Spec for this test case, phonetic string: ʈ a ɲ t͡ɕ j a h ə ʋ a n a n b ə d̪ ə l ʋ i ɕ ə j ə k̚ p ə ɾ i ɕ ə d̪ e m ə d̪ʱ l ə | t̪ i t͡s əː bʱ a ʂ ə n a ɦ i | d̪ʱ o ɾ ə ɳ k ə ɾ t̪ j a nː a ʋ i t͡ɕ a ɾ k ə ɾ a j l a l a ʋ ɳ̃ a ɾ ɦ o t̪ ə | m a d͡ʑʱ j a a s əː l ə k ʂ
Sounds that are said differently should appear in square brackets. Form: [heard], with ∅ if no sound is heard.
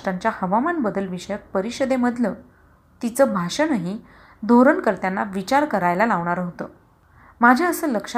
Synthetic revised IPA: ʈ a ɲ t͡ɕ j a h ə ʋ a [m] a n b ə d̪ ə l ʋ i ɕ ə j ə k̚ p ə ɾ i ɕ ə d̪ e m ə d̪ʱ l ə | t̪ i t͡s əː bʱ a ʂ ə n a ɦ i | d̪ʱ o ɾ ə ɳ k ə ɾ t̪ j a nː a ʋ i t͡ɕ a ɾ k ə ɾ a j l a l a ʋ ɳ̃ a ɾ ɦ o t̪ ə | m a d͡ʑʱ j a [ə] s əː l ə k ʂ